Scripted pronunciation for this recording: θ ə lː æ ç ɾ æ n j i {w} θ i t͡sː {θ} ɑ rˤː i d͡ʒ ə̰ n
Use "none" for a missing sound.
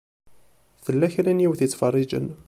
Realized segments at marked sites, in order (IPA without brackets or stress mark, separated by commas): w, f